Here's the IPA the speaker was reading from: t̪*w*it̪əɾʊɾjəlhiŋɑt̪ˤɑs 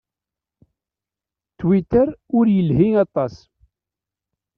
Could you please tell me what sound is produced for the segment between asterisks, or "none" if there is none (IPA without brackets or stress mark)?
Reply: w